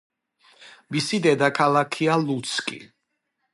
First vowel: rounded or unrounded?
unrounded